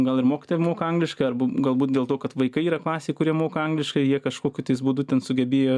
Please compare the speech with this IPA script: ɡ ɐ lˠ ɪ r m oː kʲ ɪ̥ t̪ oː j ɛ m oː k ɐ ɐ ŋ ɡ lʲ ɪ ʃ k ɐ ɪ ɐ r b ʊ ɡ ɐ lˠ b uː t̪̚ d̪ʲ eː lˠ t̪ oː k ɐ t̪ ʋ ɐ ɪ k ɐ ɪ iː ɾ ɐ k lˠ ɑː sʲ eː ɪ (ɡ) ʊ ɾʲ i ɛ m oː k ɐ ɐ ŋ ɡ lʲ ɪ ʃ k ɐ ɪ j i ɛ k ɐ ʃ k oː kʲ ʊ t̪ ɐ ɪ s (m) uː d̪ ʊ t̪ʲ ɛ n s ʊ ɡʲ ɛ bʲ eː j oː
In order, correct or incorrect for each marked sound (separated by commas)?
incorrect, incorrect